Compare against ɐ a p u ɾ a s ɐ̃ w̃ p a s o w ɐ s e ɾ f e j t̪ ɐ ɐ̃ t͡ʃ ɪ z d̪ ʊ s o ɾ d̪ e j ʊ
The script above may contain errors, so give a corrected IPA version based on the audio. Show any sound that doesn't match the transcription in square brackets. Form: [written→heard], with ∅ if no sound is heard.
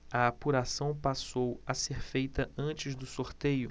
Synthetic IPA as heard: ɐ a p u ɾ a s ɐ̃ w̃ p a s o w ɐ s e ɾ f e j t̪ ɐ ɐ̃ t͡ʃ ɪ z d̪ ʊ s o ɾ [d̪→t̪] e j ʊ